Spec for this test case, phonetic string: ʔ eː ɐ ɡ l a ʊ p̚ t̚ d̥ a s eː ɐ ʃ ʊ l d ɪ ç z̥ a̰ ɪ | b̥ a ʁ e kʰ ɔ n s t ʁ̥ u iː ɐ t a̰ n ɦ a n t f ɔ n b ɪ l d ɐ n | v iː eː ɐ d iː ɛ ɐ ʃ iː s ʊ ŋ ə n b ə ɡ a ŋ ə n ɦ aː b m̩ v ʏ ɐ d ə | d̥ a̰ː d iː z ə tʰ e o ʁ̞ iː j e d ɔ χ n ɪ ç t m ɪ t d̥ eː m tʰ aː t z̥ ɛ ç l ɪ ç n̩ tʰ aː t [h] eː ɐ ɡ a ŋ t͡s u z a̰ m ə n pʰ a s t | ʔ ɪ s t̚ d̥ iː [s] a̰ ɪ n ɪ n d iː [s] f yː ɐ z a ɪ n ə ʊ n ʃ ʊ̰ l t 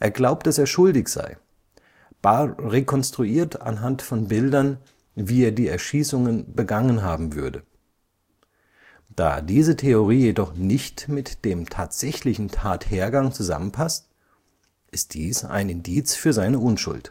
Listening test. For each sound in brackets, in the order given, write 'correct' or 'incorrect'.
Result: correct, correct, incorrect

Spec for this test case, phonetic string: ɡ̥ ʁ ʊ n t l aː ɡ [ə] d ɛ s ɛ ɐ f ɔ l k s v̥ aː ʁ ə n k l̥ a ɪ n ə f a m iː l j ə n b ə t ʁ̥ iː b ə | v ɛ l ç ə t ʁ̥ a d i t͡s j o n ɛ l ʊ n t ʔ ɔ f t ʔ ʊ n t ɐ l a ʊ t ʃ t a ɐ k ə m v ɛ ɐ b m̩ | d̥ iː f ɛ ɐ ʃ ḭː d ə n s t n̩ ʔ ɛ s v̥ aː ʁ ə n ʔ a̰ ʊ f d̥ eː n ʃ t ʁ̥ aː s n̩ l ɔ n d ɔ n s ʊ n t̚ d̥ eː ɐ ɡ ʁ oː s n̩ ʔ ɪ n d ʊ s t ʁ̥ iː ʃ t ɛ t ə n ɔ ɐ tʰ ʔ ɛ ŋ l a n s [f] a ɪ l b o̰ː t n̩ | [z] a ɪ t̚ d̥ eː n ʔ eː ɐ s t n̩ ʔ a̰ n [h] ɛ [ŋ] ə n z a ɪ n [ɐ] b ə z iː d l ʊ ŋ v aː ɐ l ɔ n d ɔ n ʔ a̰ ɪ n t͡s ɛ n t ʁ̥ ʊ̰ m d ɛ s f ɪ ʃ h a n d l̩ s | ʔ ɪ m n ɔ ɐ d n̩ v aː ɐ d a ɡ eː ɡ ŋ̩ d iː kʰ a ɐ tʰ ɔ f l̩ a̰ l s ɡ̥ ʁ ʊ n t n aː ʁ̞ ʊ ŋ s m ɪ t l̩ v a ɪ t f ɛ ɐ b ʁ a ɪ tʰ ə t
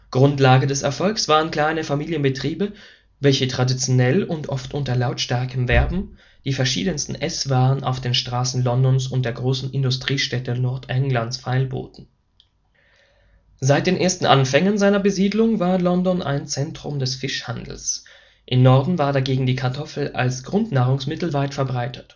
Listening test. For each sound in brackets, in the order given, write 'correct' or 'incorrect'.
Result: correct, correct, correct, incorrect, correct, correct

